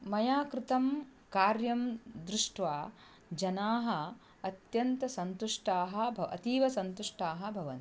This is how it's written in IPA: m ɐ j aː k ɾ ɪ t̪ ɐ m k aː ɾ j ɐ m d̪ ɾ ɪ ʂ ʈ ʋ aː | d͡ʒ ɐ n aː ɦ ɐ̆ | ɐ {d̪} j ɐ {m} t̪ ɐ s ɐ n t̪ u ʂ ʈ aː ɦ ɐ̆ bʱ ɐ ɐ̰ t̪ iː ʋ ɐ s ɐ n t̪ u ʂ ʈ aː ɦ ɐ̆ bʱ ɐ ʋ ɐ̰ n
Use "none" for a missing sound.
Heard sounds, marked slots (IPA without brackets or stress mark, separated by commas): t̪, n